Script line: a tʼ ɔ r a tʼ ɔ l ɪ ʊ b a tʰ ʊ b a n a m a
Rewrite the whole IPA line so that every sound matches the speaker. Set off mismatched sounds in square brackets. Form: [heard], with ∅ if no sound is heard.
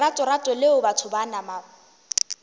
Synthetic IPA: a tʼ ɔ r a tʼ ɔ l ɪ ʊ b a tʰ ʊ b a n a m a